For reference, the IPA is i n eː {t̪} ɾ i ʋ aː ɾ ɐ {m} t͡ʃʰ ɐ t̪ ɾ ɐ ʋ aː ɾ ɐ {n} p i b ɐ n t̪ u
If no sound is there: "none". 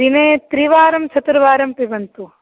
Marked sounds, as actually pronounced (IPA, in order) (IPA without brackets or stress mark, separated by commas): t̪, m, m